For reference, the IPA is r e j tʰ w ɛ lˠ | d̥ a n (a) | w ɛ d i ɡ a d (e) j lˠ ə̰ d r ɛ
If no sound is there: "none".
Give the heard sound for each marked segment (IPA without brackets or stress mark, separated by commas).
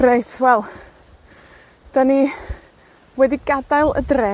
i, a